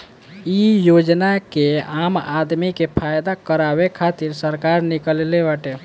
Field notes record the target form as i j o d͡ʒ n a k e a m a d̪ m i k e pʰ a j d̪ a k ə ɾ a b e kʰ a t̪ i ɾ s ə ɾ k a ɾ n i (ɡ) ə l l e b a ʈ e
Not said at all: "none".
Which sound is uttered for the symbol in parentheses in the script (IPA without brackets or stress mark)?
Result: k